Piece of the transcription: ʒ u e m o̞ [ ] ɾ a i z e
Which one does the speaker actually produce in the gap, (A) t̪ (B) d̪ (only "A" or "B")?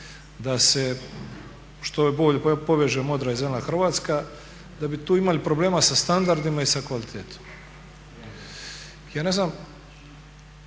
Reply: B